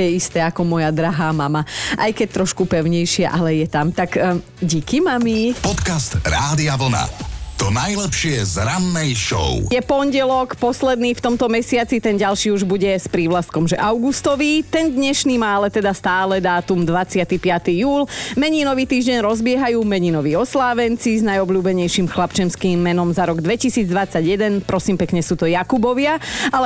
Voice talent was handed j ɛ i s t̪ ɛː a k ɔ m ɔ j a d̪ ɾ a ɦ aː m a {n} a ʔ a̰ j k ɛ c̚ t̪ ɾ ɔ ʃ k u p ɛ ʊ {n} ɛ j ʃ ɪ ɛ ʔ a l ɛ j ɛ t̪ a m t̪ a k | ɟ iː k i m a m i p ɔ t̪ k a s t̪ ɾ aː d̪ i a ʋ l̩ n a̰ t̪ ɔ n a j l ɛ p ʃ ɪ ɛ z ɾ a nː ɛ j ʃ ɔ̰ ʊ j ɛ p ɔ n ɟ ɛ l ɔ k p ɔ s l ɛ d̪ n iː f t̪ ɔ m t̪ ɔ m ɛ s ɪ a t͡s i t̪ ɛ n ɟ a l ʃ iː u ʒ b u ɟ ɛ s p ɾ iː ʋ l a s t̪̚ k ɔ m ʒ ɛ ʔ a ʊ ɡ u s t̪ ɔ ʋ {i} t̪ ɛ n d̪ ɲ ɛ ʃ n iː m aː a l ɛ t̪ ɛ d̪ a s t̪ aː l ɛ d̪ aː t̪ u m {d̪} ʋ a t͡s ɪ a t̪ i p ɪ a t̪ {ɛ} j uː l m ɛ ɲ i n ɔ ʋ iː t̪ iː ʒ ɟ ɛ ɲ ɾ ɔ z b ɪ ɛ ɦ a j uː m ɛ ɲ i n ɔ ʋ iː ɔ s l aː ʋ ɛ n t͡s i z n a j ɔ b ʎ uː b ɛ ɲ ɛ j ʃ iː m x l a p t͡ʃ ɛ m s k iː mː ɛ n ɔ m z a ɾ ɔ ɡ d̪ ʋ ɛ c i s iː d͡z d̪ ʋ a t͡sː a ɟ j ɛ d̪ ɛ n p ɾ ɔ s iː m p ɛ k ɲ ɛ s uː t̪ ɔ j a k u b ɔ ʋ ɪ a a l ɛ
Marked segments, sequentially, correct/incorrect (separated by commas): incorrect, incorrect, correct, correct, incorrect